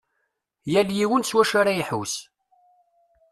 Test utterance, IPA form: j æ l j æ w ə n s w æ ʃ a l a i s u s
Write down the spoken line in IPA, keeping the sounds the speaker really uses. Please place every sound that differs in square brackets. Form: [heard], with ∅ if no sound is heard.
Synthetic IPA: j æ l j [i] w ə n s w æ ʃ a [ɾ] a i [ħ] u s